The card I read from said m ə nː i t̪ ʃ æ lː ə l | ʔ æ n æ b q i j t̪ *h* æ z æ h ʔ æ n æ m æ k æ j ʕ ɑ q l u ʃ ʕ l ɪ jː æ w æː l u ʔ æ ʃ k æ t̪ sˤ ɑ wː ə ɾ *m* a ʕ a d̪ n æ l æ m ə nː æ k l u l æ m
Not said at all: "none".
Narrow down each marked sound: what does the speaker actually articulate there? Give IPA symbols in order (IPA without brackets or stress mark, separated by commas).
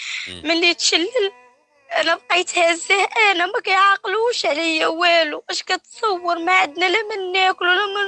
h, m